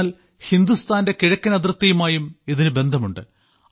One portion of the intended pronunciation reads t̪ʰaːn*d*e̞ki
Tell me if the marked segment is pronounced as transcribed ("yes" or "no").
yes